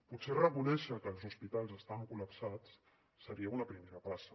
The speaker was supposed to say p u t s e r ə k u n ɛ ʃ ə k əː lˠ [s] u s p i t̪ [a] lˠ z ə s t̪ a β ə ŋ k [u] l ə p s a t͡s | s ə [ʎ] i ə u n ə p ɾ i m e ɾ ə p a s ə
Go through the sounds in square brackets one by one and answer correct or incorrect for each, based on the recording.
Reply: incorrect: z, correct, correct, incorrect: ɾ

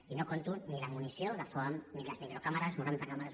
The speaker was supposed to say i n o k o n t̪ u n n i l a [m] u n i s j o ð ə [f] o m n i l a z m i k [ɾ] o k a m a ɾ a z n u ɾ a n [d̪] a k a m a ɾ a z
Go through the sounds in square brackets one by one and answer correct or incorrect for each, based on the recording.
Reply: correct, correct, correct, incorrect: t̪

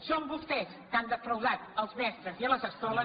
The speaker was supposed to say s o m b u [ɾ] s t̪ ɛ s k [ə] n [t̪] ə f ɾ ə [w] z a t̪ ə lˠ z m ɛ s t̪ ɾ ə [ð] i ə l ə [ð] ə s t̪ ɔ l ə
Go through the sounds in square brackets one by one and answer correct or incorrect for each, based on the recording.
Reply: incorrect: none, incorrect: a, incorrect: d̪, correct, incorrect: z, incorrect: z

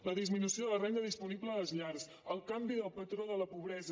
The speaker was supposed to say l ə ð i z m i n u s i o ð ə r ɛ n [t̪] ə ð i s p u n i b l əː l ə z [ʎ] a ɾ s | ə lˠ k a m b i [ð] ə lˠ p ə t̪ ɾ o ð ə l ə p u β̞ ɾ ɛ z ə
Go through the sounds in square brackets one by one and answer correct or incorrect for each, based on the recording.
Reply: incorrect: d̪, correct, correct

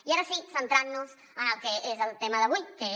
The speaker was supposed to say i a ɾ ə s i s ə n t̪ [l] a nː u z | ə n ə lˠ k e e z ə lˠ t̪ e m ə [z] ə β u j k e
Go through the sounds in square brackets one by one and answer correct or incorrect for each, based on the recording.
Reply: incorrect: ɾ, incorrect: ð

